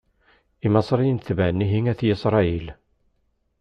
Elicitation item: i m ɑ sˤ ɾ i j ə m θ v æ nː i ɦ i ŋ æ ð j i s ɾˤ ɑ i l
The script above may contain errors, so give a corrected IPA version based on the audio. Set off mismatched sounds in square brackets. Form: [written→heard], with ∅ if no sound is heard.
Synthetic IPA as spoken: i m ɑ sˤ ɾ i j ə [m→n] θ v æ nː i ɦ i ŋ æ [ð→θ] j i s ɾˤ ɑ i l